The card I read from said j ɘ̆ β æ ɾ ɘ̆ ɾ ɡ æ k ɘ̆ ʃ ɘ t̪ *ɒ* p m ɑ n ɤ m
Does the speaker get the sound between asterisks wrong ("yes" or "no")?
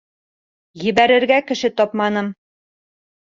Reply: no